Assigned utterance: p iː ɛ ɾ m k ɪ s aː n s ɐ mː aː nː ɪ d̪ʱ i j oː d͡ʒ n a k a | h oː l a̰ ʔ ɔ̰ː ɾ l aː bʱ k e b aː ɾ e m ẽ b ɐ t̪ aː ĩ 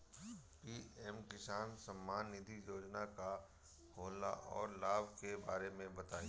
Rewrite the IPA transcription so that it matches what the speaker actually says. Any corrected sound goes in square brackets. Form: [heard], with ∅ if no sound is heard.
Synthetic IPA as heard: p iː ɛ [∅] m k ɪ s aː n s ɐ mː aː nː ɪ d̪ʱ i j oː d͡ʒ n a k a | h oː l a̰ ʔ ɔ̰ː ɾ l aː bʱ k e b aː ɾ e m ẽ b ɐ t̪ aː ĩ